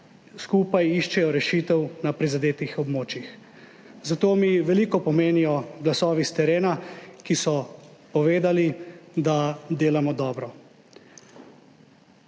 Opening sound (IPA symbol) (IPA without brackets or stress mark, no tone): s